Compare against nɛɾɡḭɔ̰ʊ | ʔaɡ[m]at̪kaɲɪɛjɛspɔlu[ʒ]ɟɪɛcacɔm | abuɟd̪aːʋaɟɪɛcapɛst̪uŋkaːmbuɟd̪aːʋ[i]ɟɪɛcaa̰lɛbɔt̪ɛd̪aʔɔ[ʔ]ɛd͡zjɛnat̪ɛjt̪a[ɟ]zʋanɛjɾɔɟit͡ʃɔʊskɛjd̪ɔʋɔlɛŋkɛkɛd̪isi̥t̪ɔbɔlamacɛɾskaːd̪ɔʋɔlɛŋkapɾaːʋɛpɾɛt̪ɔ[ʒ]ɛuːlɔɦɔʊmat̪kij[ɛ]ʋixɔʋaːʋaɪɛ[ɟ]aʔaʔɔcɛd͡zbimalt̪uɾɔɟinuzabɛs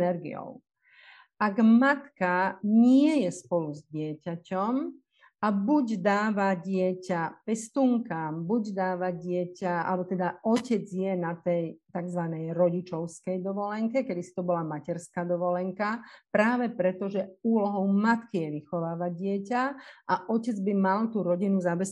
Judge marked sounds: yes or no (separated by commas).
yes, no, no, no, no, yes, yes, no